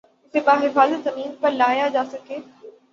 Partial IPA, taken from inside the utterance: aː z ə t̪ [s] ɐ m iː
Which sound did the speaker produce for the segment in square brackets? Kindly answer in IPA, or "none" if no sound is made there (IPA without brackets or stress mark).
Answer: z